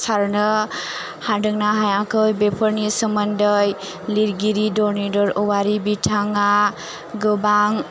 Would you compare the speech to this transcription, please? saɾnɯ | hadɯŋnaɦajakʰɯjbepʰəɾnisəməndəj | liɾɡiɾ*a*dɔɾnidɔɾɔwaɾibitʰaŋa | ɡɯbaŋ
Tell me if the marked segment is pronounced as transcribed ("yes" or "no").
no